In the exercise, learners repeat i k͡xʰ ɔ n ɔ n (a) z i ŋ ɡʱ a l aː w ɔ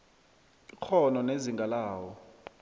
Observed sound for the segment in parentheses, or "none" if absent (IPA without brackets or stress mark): e